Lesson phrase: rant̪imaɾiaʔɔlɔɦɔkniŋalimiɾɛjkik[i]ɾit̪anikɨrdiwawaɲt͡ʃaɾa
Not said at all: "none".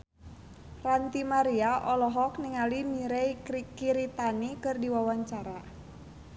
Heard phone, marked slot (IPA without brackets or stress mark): i